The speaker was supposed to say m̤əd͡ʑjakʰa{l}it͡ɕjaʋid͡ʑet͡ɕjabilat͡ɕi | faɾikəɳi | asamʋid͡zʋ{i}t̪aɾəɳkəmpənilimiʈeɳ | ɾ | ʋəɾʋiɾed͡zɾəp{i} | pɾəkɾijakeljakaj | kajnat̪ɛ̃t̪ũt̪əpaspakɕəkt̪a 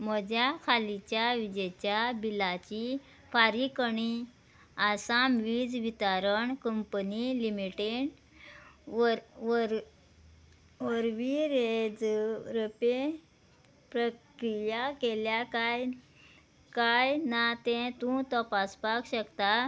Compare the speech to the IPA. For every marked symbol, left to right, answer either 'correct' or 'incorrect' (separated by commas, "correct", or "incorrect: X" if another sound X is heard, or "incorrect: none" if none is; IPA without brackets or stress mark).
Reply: correct, correct, incorrect: e